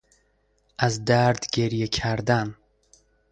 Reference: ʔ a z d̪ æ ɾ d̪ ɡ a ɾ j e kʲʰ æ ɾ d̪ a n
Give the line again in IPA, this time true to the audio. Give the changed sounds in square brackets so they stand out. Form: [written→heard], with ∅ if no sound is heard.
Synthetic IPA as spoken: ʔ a z d̪ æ ɾ d̪ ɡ [a→e] ɾ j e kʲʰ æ ɾ d̪ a n